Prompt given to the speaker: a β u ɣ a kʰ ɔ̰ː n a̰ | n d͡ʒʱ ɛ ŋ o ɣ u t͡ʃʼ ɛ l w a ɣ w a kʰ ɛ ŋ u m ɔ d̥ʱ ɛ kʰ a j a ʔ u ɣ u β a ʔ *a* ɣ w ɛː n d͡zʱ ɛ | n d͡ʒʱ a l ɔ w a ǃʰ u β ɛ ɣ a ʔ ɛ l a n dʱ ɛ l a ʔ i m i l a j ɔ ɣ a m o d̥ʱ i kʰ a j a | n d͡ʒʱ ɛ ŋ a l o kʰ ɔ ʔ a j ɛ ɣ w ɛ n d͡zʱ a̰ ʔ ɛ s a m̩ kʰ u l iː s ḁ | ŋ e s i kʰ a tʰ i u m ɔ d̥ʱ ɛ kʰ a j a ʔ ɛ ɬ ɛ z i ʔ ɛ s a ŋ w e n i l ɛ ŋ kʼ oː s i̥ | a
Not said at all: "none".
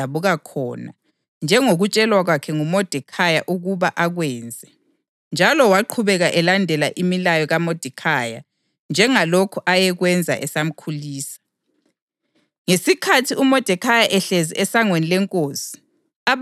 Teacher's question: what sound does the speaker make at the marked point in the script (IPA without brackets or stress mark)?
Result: a